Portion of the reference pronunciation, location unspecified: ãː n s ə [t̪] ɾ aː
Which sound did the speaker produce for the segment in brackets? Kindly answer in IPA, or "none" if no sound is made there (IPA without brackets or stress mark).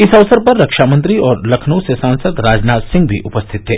d̪